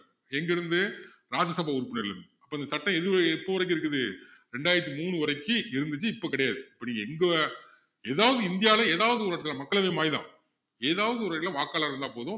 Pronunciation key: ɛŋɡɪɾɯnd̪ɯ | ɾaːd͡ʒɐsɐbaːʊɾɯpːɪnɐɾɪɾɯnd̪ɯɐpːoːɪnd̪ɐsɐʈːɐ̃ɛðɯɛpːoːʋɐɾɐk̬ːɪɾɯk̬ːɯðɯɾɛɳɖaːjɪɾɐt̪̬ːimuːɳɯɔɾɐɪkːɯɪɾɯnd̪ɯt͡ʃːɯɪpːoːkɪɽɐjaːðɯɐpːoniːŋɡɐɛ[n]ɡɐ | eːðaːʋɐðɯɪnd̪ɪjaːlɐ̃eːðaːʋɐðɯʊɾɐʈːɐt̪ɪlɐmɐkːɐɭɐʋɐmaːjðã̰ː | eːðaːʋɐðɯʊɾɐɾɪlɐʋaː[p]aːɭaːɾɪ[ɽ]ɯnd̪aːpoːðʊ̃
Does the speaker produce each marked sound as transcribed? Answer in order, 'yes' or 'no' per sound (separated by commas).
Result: no, no, no